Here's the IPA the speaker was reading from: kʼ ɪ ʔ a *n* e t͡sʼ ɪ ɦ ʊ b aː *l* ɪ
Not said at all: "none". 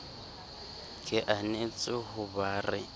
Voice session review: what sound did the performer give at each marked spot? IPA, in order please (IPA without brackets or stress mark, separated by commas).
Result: n, r